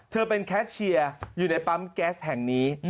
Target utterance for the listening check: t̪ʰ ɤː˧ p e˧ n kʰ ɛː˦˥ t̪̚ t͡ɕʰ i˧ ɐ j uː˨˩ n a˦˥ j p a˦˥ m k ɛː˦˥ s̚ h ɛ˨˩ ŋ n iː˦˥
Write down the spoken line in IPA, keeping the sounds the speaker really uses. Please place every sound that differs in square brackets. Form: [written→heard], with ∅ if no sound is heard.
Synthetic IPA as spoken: t̪ʰ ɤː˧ p e˧ n kʰ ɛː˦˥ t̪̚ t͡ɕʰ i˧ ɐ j uː˨˩ n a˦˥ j p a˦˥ m k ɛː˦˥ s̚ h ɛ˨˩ ŋ n iː˦˥